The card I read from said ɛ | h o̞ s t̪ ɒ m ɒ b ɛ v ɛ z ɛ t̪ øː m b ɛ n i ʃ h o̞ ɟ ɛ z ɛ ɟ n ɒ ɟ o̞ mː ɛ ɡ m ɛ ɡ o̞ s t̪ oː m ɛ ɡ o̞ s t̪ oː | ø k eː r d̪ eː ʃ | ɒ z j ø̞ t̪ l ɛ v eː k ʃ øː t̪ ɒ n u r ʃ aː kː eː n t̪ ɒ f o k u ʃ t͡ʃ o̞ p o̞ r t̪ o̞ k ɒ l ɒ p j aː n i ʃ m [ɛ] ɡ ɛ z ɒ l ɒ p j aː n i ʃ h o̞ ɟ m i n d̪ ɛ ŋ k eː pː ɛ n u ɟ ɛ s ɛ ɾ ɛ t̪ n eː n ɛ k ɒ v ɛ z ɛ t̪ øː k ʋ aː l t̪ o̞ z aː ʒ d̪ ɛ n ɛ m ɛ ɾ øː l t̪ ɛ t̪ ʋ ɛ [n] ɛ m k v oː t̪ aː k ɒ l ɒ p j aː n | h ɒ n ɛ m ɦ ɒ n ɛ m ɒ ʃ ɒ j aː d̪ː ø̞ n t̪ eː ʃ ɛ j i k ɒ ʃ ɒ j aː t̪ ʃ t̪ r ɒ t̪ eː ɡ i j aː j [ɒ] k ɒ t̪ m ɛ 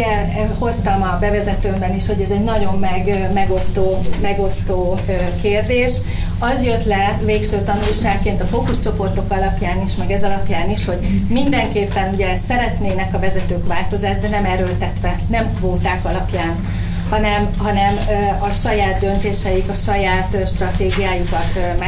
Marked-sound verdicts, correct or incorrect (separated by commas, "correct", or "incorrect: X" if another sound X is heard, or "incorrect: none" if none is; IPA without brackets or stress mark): correct, correct, incorrect: u